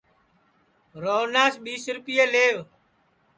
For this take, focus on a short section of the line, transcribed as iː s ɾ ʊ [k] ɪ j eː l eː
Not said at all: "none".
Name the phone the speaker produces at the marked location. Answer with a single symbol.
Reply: p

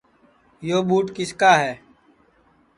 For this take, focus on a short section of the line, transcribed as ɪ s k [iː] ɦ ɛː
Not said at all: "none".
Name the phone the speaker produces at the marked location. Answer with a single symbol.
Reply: aː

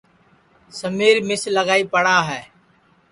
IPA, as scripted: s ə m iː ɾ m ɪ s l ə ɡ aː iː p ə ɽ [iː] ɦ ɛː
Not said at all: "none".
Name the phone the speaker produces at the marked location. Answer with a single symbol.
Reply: aː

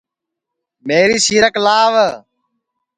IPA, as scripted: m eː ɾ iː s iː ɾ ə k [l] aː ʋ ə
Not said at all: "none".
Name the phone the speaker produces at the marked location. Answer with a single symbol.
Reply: l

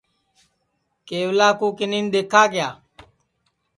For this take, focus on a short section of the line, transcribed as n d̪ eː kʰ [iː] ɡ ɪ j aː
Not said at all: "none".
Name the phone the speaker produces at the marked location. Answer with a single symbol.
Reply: aː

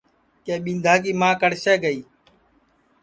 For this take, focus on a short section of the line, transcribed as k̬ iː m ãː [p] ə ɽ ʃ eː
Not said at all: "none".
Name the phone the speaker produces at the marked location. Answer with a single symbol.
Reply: k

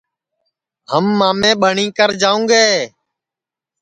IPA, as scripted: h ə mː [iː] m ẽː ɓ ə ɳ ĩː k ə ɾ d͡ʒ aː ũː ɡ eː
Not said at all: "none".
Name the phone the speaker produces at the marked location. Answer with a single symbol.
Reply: aː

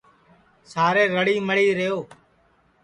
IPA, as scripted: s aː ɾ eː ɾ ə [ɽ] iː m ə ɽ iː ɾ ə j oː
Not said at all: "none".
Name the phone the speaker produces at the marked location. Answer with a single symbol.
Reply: ɽ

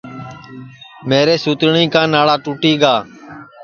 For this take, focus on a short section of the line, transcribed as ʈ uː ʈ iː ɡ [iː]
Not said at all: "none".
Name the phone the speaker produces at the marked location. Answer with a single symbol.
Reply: aː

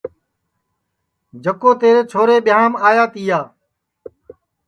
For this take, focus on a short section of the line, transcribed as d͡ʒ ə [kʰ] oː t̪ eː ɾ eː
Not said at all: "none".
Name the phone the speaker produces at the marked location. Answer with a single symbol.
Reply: k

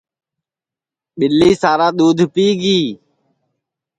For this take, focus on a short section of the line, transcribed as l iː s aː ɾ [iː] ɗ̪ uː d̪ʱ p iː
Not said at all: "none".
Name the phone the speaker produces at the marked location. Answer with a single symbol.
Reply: aː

